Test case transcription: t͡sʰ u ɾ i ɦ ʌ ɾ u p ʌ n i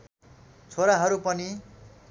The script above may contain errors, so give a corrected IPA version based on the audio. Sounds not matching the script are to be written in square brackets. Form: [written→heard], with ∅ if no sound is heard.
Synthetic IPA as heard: t͡sʰ [u→o] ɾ [i→a] ɦ ʌ ɾ u p ʌ n i